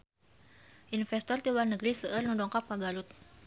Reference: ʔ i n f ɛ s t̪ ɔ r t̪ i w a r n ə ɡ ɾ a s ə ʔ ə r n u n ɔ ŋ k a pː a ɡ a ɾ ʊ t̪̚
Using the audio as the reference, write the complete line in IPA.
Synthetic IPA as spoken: ʔ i n f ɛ s t̪ ɔ r t̪ i w a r n ə ɡ ɾ i s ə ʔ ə r n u d ɔ ŋ k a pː a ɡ a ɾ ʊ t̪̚